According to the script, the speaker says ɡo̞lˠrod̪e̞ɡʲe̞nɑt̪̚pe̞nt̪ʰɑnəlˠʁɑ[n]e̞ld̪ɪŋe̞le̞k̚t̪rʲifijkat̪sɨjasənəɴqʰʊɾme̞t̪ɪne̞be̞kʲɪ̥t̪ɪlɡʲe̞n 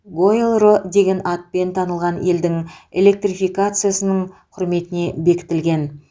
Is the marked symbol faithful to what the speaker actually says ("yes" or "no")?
yes